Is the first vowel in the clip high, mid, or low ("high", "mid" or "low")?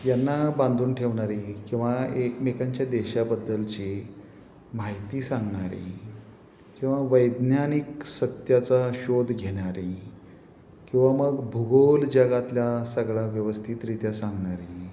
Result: low